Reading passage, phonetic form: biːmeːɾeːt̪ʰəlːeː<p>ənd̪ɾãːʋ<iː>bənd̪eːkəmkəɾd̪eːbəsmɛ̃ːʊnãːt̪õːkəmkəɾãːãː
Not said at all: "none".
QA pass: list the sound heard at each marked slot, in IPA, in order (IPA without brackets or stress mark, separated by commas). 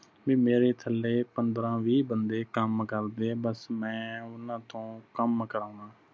p, iː